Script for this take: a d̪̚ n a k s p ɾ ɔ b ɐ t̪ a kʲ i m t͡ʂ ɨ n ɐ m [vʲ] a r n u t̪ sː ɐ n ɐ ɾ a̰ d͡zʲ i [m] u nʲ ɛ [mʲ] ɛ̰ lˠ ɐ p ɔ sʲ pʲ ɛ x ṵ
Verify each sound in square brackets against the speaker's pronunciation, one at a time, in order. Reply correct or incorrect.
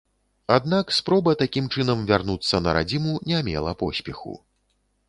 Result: correct, correct, correct

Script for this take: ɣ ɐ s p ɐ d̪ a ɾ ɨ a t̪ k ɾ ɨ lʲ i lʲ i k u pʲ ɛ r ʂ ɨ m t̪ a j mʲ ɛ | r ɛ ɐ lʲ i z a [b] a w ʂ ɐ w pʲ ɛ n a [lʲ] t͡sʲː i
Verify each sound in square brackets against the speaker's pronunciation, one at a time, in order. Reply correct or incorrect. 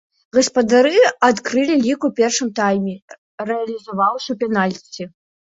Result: incorrect, correct

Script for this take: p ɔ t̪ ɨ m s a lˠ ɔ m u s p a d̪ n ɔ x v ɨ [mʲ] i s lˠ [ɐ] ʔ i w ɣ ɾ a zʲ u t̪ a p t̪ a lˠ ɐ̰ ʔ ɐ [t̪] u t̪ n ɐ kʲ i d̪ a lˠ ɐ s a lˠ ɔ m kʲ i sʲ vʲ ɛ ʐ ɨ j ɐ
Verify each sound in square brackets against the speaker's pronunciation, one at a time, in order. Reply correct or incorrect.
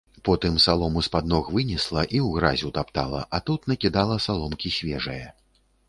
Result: incorrect, correct, correct

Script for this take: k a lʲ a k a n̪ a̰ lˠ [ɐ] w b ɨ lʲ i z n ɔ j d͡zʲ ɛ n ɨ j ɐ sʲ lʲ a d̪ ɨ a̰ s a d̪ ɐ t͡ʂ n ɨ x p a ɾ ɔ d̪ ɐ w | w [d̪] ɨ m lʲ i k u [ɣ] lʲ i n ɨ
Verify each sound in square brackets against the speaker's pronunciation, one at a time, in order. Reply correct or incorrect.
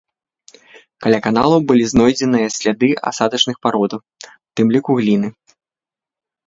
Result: correct, incorrect, correct

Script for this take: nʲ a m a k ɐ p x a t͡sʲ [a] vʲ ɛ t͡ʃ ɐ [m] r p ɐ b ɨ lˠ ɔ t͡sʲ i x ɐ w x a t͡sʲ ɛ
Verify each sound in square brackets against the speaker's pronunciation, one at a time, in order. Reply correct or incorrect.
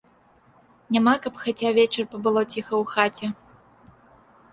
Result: correct, incorrect

